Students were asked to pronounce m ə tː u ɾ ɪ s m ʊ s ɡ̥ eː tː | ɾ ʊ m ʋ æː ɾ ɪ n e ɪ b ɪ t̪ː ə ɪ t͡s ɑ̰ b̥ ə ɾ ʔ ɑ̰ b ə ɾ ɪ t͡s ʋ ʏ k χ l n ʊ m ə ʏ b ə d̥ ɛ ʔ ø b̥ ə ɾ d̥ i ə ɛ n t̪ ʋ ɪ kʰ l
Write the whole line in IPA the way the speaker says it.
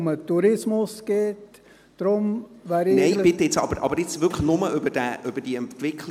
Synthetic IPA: m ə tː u ɾ ɪ s m ʊ s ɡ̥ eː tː | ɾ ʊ m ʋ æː ɾ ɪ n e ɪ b ɪ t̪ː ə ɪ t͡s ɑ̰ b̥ ə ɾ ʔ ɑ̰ b ə ɾ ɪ t͡s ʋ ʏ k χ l n ʊ m ə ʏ b ə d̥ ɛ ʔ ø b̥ ə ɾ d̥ i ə ɛ n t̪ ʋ ɪ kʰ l